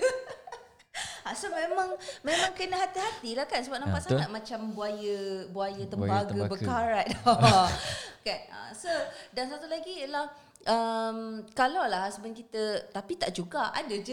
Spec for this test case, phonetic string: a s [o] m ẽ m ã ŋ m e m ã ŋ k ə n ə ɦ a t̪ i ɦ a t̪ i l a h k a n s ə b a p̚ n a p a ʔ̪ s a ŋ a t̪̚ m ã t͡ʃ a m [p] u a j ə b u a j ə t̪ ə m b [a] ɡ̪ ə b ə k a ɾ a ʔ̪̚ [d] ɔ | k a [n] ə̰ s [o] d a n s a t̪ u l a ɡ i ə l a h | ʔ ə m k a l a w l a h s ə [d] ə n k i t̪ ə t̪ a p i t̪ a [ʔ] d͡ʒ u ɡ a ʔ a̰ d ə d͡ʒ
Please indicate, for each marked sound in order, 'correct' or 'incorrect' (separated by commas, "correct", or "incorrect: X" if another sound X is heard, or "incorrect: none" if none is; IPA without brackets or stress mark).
correct, incorrect: b, correct, correct, correct, correct, incorrect: b, correct